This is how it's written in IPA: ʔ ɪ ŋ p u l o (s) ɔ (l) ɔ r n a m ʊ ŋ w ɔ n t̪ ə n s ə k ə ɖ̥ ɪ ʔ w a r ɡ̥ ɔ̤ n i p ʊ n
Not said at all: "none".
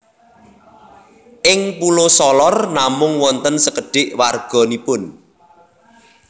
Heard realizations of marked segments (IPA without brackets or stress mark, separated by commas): s, l